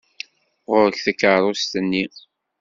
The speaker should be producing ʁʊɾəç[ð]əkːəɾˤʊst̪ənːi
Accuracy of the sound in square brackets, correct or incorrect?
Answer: incorrect